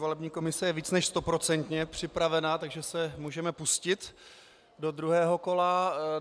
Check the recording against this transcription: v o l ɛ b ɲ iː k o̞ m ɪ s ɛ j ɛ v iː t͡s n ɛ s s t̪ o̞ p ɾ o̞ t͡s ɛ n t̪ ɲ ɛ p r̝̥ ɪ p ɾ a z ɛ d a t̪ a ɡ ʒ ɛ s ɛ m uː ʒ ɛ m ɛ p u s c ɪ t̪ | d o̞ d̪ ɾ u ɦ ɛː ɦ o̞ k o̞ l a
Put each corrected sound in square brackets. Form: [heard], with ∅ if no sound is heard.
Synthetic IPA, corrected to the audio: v o l ɛ b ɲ iː k o̞ m ɪ s ɛ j ɛ v iː t͡s n ɛ [ʃ] s t̪ o̞ p ɾ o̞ t͡s ɛ n t̪ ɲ ɛ p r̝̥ ɪ p ɾ a [v] ɛ [n] a t̪ a ɡ ʒ ɛ s ɛ m uː ʒ ɛ m ɛ p u s c ɪ t̪ | d o̞ d̪ ɾ u ɦ ɛː ɦ o̞ k o̞ l a